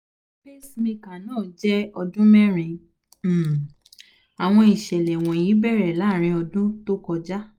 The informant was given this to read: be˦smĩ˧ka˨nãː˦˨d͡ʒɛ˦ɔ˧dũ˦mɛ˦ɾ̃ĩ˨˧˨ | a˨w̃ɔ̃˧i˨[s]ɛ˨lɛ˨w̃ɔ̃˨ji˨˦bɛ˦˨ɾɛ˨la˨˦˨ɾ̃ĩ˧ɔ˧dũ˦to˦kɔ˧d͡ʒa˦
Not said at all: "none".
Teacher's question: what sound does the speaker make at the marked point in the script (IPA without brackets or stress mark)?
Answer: ʃ